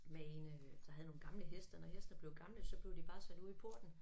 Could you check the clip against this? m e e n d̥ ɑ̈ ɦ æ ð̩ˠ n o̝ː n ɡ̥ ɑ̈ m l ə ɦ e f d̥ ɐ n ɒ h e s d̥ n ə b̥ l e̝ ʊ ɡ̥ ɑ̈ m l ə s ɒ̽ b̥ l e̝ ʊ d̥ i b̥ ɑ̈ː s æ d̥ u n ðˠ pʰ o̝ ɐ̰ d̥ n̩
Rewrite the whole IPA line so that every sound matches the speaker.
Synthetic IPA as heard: m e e n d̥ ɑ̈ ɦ æ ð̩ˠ n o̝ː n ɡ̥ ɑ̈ m l ə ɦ e s d̥ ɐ n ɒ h e s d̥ n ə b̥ l e̝ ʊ ɡ̥ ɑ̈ m l ə s ɒ̽ b̥ l e̝ ʊ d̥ i b̥ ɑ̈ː s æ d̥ u ðˠ pʰ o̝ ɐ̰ d̥ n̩